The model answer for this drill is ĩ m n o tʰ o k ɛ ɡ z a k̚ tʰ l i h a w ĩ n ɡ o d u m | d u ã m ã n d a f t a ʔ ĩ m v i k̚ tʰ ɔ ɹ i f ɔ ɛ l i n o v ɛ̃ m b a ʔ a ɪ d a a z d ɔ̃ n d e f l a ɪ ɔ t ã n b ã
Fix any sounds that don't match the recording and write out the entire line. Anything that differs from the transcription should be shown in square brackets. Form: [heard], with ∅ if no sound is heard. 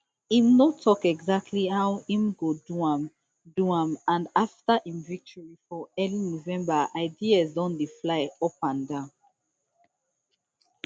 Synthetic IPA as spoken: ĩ m n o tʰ [ɔ] k ɛ ɡ z a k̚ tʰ l i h a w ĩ [m] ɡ o d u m | d u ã m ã n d a f t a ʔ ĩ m v i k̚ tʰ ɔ ɹ i f ɔ ɛ l i n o v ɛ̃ m b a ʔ a ɪ d [i] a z d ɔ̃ n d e f l a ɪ ɔ [p] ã n [d] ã